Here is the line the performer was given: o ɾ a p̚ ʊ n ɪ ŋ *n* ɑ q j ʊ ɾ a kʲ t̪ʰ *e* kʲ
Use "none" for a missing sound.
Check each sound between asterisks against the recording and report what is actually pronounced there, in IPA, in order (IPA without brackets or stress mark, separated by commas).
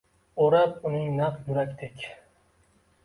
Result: n, e